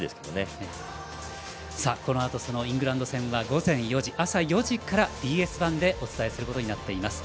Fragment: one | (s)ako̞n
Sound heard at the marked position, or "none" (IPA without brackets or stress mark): s